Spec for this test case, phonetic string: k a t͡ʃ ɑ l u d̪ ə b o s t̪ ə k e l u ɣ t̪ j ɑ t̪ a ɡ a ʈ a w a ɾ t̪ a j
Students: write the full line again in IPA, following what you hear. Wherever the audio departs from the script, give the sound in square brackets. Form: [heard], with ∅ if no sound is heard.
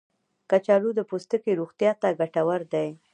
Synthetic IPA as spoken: k a t͡ʃ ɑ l u d̪ ə [p] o s t̪ ə k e [ɾ] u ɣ t̪ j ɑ t̪ a ɡ a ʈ a w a ɾ [d̪] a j